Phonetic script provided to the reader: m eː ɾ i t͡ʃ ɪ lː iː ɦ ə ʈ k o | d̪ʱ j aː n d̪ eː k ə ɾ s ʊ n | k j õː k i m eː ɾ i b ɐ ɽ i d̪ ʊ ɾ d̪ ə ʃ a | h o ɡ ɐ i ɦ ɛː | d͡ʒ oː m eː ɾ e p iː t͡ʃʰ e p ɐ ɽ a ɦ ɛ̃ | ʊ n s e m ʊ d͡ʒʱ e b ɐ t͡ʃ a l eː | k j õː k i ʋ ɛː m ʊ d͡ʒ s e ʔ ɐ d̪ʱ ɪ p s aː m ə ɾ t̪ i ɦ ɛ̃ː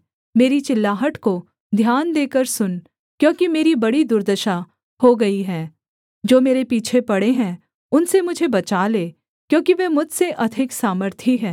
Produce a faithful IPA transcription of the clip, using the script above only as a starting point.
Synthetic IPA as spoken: m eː ɾ i t͡ʃ ɪ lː aː ɦ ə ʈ k o | d̪ʱ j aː n d̪ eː k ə ɾ s ʊ n | k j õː k i m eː ɾ i b ɐ ɽ i d̪ ʊ ɾ d̪ ə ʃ a | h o ɡ ɐ i ɦ ɛː | d͡ʒ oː m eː ɾ e p iː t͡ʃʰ e p ɐ ɽ e ɦ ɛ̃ | ʊ n s e m ʊ d͡ʒʱ e b ɐ t͡ʃ a l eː | k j õː k i ʋ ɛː m ʊ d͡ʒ s e ʔ ɐ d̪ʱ ɪ k s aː m ə ɾ t̪ʰ i ɦ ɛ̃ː